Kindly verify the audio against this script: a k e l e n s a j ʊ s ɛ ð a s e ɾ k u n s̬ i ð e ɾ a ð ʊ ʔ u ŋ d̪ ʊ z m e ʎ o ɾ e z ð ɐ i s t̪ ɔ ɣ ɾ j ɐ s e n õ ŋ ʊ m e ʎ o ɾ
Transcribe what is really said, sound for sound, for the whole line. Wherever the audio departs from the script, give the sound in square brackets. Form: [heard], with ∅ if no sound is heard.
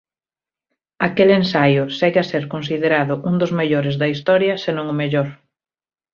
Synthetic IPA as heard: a k e l e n s a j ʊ s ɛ [ɣ] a s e ɾ k [o] n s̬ i ð e ɾ a ð ʊ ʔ u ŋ d̪ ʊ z m e ʎ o ɾ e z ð ɐ i s t̪ ɔ [∅] ɾ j ɐ s e n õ ŋ ʊ m e ʎ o ɾ